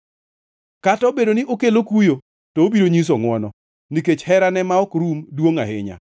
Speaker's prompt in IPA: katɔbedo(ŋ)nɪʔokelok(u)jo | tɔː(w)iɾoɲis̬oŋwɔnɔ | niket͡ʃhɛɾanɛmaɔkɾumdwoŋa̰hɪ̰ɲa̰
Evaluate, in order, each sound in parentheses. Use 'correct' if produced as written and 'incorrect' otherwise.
incorrect: none, correct, incorrect: b

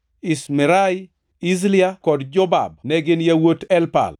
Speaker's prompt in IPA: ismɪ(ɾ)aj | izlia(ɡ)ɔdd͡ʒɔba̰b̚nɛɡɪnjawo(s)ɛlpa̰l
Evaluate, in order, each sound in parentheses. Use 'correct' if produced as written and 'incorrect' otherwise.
correct, incorrect: k, incorrect: t

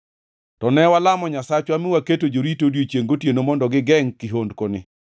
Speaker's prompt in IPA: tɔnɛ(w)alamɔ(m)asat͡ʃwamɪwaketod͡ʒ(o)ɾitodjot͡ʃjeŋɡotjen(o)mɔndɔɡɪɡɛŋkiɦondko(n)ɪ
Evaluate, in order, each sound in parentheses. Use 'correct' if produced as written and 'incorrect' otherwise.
correct, incorrect: ɲ, correct, correct, correct

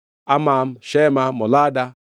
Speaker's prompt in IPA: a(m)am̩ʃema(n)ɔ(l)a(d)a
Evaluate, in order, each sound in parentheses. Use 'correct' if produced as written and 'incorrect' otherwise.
correct, incorrect: m, correct, correct

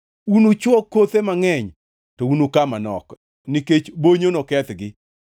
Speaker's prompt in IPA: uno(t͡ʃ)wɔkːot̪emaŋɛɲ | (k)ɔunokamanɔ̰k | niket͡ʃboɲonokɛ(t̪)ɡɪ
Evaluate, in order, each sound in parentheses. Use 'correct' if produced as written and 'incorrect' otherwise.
correct, incorrect: t, correct

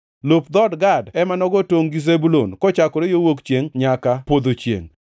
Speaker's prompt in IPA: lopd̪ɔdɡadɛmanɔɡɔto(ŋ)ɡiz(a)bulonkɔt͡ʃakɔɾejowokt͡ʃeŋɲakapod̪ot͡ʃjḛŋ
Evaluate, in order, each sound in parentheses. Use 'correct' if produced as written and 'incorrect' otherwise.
correct, incorrect: e

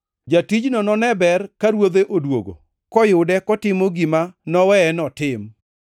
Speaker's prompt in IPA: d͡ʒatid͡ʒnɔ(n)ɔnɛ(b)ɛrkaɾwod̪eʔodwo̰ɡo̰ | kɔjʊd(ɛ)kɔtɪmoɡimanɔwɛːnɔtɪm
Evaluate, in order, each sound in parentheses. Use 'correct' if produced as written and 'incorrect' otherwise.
correct, correct, correct

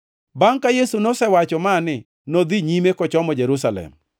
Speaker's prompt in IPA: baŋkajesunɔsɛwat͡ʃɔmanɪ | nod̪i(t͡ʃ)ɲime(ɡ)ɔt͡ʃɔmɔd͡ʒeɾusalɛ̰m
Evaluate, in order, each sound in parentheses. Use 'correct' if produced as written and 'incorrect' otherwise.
incorrect: none, incorrect: k

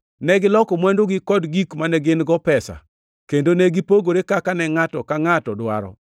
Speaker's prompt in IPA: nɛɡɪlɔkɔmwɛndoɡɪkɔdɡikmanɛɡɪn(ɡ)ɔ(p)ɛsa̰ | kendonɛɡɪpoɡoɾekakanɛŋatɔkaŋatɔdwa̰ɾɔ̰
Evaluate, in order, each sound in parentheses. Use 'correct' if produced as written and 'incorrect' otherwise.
correct, correct

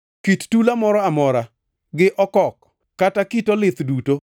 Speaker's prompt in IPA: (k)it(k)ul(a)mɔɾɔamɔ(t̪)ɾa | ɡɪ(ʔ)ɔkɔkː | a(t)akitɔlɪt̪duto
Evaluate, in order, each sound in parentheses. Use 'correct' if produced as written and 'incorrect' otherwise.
correct, incorrect: t, correct, incorrect: none, correct, correct

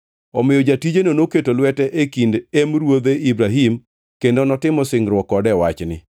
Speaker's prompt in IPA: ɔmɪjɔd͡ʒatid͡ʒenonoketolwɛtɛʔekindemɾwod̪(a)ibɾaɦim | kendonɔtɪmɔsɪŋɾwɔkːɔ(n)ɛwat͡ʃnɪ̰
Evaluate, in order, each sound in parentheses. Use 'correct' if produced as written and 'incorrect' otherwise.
incorrect: e, incorrect: d

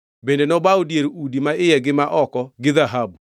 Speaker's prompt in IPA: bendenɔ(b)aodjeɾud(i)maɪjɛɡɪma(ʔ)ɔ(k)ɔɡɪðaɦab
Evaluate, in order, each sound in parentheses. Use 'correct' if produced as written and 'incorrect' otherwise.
correct, correct, correct, correct

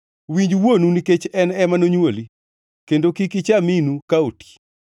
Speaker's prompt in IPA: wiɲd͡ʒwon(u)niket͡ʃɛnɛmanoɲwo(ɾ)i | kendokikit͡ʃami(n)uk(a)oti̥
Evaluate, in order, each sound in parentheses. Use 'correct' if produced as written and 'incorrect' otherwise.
correct, incorrect: l, correct, correct

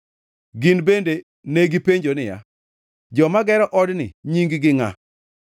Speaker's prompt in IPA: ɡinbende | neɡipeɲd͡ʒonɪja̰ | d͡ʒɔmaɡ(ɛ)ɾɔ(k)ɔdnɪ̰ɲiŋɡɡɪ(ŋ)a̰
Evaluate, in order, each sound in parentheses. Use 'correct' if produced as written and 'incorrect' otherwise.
correct, incorrect: ʔ, correct

